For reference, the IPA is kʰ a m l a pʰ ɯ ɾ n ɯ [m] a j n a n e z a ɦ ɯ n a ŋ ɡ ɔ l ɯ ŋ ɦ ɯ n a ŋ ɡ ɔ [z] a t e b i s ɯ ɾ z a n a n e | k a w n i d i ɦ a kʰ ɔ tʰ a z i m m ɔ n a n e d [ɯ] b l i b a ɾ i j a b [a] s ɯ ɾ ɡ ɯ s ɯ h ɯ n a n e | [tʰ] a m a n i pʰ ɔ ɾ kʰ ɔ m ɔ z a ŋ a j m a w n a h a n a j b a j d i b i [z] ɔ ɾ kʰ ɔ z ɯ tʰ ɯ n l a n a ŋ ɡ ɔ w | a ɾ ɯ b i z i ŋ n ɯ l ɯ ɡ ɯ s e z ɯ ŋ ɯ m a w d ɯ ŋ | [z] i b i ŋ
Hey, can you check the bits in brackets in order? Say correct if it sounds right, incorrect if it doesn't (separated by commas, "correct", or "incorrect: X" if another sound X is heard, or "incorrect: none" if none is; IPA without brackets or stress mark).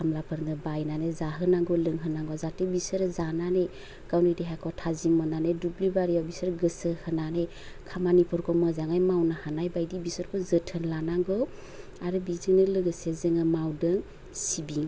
incorrect: b, correct, incorrect: u, incorrect: i, incorrect: kʰ, incorrect: s, incorrect: s